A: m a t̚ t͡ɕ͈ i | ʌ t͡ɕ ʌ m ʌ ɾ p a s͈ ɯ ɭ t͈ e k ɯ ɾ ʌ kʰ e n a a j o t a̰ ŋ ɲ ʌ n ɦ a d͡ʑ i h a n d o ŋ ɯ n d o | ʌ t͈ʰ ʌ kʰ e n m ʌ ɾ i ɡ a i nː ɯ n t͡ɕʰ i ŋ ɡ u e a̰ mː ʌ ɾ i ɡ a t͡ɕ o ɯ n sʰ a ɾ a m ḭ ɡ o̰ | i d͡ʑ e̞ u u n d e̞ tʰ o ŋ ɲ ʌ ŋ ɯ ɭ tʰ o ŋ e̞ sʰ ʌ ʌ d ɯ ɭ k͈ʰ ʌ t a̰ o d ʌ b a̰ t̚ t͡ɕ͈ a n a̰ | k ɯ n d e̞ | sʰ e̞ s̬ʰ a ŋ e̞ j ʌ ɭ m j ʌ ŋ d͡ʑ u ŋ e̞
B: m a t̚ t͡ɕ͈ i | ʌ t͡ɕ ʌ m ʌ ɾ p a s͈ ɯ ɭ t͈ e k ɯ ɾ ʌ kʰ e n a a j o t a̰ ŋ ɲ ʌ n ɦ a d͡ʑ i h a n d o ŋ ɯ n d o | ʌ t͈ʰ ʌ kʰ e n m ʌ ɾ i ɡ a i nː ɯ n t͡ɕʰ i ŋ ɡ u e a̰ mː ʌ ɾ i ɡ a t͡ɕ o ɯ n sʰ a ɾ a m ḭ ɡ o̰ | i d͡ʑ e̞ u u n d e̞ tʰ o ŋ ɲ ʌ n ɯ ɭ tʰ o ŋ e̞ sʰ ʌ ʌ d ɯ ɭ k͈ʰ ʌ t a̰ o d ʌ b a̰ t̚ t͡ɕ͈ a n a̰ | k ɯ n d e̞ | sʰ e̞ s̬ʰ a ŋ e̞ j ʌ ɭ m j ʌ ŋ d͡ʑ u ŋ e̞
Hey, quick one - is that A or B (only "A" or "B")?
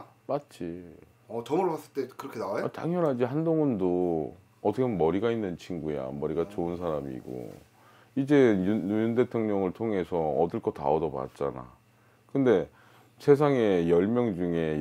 A